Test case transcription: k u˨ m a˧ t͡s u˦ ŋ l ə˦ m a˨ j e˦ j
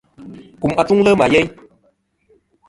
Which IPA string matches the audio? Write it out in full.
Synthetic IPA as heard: k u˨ m a˧ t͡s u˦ ŋ l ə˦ m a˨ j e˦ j